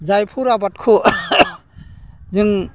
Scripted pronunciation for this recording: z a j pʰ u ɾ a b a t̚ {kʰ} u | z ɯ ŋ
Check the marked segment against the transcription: correct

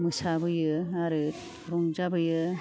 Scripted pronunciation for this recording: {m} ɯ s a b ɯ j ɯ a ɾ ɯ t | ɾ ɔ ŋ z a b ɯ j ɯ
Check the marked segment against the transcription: correct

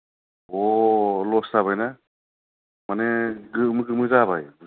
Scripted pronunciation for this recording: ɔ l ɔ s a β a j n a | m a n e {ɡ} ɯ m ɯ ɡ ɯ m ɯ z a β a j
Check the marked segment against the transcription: correct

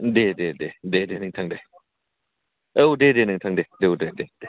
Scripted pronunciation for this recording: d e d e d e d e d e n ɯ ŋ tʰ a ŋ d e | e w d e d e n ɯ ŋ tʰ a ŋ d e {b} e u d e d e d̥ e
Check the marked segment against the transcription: incorrect: d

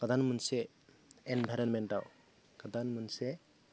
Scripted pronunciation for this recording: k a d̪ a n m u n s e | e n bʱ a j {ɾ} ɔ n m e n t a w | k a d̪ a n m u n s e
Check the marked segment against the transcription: correct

